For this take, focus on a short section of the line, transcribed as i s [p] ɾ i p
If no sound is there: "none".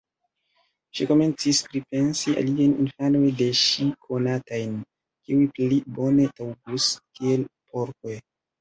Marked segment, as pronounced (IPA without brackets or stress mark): p